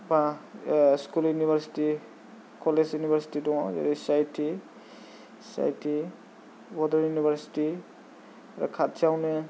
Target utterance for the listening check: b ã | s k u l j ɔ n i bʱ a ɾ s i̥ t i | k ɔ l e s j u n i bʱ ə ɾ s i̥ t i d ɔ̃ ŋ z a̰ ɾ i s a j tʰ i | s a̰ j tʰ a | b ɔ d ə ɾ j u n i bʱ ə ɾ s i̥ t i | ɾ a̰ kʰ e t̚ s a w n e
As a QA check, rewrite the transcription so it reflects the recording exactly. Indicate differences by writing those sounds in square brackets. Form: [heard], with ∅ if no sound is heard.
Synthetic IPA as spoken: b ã | s k u l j [u] n i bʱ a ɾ s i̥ t i | k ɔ l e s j u n i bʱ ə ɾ s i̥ t i d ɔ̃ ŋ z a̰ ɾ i s a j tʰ i | s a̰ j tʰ [i] | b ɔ d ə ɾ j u n i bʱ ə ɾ s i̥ t i | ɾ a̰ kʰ [a] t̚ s a w n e